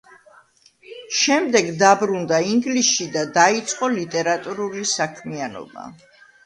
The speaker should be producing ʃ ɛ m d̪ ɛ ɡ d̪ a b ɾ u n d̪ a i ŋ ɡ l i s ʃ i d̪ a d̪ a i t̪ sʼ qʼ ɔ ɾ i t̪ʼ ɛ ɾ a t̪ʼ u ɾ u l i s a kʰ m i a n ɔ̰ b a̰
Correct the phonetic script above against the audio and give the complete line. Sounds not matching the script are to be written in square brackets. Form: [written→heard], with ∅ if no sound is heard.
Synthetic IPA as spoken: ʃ ɛ m d̪ ɛ ɡ d̪ a b ɾ u n d̪ a i ŋ ɡ l i s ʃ i d̪ a d̪ a i t̪ sʼ qʼ ɔ [ɾ→l] i t̪ʼ ɛ ɾ a t̪ʼ u ɾ u l i s a kʰ m i a n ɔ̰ b a̰